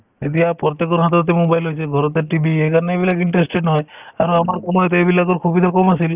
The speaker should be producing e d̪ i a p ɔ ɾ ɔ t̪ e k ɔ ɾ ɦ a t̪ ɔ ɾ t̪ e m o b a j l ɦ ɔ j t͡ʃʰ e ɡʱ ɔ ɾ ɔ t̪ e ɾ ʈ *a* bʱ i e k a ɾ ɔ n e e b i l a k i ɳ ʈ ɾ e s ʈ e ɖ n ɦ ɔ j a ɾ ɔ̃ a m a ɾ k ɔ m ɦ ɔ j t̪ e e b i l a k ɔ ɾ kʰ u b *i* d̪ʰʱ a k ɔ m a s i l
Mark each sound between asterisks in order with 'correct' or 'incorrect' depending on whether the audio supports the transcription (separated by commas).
incorrect, correct